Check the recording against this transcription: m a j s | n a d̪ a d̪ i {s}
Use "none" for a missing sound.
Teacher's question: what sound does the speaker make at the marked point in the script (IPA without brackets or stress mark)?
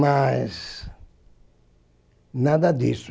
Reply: s